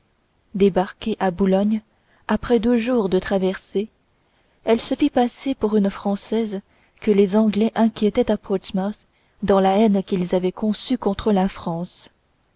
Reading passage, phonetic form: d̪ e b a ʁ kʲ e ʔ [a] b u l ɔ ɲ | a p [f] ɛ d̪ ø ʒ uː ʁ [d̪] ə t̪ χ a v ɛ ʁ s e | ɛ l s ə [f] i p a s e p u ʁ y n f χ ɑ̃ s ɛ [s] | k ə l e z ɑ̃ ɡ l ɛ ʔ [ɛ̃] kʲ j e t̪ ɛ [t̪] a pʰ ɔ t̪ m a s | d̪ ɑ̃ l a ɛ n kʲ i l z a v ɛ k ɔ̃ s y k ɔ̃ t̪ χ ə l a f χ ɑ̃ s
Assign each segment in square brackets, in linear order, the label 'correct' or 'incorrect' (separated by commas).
correct, incorrect, correct, correct, incorrect, correct, correct